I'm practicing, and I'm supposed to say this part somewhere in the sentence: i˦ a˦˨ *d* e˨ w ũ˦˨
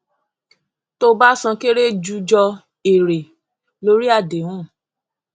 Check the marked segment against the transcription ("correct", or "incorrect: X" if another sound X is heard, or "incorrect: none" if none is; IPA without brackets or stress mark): correct